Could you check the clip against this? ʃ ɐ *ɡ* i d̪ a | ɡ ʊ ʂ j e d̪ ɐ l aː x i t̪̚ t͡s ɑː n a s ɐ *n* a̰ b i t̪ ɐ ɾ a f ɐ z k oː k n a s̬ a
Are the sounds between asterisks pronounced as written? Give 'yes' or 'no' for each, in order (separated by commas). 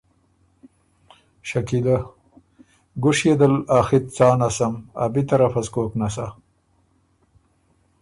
no, no